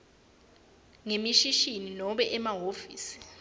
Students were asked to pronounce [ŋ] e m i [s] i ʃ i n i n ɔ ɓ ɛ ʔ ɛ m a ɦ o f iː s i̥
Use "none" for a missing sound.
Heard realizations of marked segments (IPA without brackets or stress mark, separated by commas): ŋ, ʃ